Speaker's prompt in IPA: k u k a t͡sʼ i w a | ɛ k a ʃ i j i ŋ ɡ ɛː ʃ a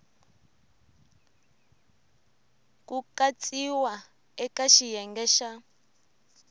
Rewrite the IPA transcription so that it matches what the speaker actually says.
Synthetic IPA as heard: k u k a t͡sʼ i w a | ɛ k a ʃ i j ɛ ŋ ɡ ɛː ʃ a

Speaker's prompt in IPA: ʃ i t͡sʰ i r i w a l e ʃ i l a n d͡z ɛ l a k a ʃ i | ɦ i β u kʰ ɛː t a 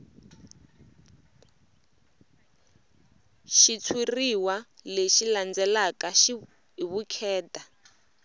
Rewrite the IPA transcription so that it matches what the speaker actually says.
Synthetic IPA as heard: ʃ i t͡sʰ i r i w a l e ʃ i l a n d͡z ɛ l a k a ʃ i | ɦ i β u kʰ ɛː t a

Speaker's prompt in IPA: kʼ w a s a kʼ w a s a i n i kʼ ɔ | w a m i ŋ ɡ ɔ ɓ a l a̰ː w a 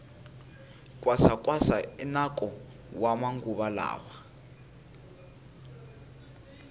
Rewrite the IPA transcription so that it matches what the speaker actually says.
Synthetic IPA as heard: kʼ w a s a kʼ w a s a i n a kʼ ɔ | w a m a ŋ ɡ u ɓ a l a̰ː w a

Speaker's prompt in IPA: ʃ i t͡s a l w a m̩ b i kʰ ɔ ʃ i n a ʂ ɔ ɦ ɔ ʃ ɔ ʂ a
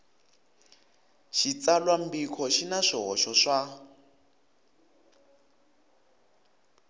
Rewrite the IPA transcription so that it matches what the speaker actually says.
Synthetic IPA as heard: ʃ i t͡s a l w a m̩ b i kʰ ɔ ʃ i n a ʂ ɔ ɦ ɔ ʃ ɔ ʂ a

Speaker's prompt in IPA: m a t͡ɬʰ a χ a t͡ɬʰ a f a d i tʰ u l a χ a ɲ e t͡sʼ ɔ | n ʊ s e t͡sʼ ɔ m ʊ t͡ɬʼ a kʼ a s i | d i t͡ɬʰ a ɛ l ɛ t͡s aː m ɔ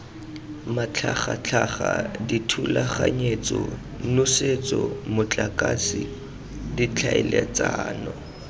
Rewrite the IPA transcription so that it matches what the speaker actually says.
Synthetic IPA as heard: m a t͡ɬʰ a χ a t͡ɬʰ a χ a d i tʰ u l a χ a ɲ e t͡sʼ ɔ | n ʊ s e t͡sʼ ɔ m ʊ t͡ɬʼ a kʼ a s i | d i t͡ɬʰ a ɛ l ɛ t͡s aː n ɔ

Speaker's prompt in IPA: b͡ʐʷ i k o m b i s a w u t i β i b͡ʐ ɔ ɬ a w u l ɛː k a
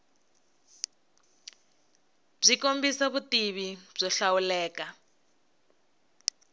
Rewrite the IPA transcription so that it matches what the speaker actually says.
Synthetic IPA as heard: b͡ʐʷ i k o m b i s a β u t i β i b͡ʐ ɔ ɬ a w u l ɛː k a

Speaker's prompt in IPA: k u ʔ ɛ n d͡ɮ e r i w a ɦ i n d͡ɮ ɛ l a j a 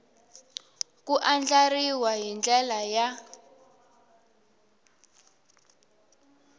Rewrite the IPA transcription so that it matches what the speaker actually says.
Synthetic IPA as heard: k u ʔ a n d͡ɮ a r i w a ɦ i n d͡ɮ ɛ l a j a

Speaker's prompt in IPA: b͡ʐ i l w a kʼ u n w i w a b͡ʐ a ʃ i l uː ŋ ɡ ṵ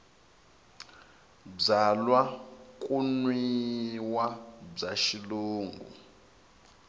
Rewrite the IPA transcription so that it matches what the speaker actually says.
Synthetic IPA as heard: b͡ʐ a l w a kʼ u n w i w a b͡ʐ a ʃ i l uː ŋ ɡ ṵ

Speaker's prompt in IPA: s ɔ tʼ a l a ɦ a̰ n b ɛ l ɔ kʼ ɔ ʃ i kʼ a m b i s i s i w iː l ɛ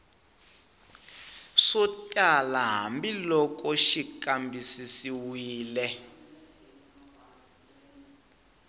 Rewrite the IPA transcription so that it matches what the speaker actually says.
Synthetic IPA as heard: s ɔ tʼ a l a ɦ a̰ m b i l ɔ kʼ ɔ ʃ i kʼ a m b i s i s i w iː l ɛ

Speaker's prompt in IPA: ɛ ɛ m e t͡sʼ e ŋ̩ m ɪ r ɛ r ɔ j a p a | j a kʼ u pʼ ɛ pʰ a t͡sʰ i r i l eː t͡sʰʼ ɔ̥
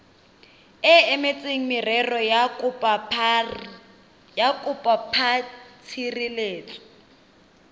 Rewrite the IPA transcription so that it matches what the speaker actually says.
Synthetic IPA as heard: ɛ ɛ m e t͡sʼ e ŋ̩ m ɪ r ɛ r ɔ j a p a | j a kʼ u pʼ a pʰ a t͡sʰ i r i l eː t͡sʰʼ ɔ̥

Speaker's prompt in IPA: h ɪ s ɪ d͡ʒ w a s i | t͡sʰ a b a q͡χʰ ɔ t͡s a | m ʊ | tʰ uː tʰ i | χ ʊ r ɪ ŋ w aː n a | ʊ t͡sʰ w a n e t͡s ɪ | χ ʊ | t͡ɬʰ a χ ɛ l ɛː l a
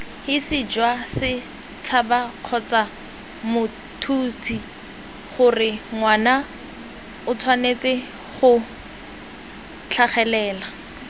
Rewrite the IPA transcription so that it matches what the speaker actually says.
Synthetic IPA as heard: h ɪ s ɪ d͡ʒ w a s ɪ | t͡sʰ a b a q͡χʰ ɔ t͡s a | m ʊ | tʰ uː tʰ i | χ ʊ r ɪ ŋ w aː n a | ʊ t͡sʰ w a n e t͡s ɪ | χ ʊ | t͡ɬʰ a χ ɛ l ɛː l a

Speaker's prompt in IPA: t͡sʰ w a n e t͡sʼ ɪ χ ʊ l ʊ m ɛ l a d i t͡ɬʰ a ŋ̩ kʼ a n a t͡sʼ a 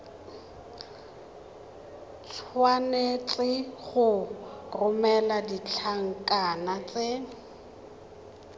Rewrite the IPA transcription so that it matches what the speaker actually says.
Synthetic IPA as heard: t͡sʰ w a n e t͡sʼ ɪ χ ʊ r ʊ m ɛ l a d i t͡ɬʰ a ŋ̩ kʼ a n a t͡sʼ e

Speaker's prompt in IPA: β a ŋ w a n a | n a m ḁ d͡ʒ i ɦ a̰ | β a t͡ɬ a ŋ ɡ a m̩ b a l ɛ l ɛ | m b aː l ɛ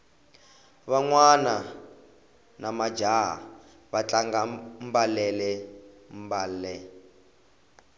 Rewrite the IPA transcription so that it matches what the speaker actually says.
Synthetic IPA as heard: β a ŋ w a n a | n a m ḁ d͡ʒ a ɦ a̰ | β a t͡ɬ a ŋ ɡ a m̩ b a l ɛ l ɛ | m b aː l ɛ

